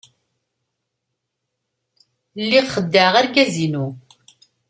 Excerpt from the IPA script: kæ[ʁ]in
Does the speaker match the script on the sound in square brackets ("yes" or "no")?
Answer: no